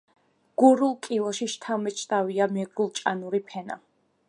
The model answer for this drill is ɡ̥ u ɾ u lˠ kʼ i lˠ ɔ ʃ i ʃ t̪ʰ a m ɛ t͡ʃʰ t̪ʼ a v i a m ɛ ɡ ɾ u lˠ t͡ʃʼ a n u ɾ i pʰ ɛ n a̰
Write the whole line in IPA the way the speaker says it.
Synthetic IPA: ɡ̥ u ɾ u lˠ kʼ i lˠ ɔ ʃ i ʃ t̪ʰ a m ɛ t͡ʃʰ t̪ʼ a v i a m ɛ ɡ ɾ u lˠ t͡ʃʼ a n u ɾ i pʰ ɛ n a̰